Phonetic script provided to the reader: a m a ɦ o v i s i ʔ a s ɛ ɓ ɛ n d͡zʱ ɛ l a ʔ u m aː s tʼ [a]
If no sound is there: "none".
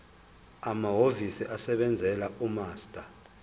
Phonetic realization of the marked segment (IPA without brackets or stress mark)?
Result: a